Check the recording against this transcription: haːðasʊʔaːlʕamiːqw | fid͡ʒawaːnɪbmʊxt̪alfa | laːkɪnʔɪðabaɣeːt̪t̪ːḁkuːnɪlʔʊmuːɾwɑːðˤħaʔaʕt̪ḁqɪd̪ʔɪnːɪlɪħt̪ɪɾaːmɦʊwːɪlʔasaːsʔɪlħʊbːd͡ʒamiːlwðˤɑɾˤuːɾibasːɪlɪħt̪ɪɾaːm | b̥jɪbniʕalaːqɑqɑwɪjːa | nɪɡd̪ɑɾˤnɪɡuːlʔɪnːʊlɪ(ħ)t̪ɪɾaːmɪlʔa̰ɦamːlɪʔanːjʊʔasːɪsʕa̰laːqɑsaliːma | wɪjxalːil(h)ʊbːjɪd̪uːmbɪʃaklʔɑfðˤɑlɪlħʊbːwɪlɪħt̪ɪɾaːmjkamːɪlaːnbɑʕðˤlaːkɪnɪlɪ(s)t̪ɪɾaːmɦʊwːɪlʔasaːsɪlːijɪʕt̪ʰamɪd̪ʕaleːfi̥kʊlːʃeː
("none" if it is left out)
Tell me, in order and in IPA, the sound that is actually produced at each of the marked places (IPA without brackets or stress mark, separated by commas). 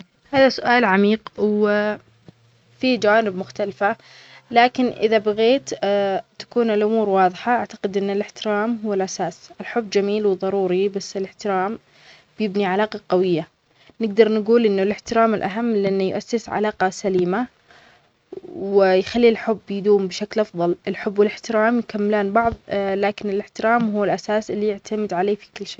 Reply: ħ, ħ, ħ